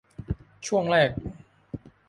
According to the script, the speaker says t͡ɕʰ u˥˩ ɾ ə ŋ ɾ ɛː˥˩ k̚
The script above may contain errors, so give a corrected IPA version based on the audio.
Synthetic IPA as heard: t͡ɕʰ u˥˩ ə ŋ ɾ ɛː˥˩ k̚